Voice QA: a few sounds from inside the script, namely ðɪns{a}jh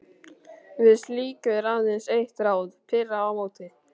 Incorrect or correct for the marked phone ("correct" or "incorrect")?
incorrect